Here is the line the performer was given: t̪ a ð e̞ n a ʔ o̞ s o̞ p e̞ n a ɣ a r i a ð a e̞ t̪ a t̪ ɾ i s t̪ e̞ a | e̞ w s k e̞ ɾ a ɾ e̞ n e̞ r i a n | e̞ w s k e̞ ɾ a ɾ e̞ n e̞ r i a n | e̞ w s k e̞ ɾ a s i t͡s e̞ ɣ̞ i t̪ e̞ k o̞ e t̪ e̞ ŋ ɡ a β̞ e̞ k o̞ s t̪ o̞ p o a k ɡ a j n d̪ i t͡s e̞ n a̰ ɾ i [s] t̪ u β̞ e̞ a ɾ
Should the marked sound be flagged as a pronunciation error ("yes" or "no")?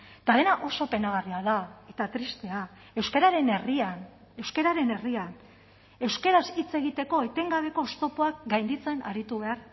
yes